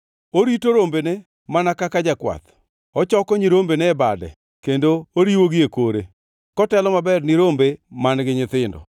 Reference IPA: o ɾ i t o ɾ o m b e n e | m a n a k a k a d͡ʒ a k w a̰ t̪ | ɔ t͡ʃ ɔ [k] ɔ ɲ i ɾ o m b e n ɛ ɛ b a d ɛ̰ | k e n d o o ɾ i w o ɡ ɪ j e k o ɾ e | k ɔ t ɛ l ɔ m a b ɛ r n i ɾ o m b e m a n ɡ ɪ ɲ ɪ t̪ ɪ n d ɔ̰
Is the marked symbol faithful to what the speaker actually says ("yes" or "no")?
yes